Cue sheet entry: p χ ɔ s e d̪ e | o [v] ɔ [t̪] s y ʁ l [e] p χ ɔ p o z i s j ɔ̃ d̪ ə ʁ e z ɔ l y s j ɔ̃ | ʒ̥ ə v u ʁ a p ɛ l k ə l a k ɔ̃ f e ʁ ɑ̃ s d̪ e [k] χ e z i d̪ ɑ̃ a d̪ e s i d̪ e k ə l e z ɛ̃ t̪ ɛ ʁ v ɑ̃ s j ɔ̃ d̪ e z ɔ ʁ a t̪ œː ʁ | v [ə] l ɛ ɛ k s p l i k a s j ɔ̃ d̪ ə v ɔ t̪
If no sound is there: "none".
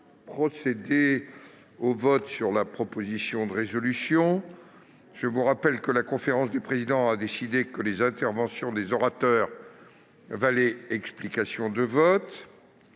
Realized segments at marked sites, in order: v, t̪, a, p, a

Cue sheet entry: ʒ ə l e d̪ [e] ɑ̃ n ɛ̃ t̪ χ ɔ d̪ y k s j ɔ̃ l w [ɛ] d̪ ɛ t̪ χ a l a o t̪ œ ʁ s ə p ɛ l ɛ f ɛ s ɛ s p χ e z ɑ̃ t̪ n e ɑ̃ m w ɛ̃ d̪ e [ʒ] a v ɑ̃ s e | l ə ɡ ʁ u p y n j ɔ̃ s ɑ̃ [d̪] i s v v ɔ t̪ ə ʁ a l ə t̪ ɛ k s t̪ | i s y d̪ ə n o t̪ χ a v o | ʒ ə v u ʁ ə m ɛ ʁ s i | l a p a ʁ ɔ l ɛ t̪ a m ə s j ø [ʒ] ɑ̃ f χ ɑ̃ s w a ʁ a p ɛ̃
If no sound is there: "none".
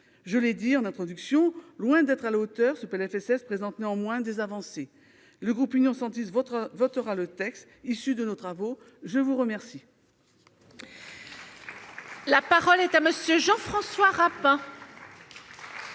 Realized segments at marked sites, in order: i, ɛ̃, z, t̪, ʒ

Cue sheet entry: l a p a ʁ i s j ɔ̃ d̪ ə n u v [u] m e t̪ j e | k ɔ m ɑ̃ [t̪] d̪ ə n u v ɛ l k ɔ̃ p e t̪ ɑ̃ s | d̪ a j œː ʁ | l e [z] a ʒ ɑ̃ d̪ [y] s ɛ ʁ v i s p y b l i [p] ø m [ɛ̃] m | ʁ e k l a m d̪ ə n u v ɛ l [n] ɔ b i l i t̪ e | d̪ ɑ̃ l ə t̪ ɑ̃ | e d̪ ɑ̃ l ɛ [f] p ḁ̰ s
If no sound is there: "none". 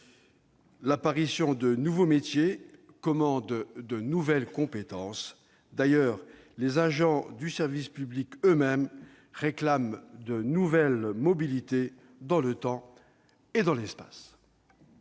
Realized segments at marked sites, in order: o, d̪, z, y, k, ɛ, m, s

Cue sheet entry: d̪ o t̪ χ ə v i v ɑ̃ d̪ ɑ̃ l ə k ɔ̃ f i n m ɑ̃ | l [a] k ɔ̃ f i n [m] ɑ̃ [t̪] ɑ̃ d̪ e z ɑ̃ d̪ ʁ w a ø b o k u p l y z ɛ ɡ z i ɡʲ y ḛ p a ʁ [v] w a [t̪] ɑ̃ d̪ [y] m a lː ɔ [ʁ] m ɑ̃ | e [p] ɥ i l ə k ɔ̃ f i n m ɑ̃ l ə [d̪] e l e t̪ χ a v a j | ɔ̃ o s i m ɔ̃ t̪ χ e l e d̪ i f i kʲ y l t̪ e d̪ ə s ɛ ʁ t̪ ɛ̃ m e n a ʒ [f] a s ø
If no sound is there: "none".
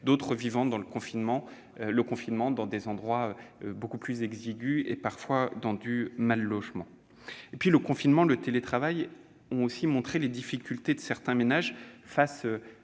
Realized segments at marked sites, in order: ə, m, d̪, f, d̪, y, ʒ, p, t̪, f

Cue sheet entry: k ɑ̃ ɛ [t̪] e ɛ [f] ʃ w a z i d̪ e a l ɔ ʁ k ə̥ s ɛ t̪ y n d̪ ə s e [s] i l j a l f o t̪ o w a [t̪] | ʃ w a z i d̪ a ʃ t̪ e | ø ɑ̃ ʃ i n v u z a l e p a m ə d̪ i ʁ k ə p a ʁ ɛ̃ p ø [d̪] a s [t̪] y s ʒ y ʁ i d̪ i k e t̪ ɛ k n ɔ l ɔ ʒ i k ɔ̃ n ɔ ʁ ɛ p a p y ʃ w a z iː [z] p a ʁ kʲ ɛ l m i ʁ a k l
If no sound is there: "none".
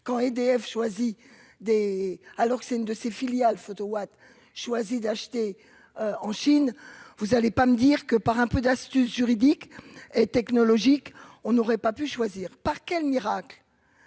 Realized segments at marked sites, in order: d̪, f, f, t̪, d̪, t̪, ʁ

